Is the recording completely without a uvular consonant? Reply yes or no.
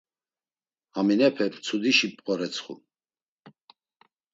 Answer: no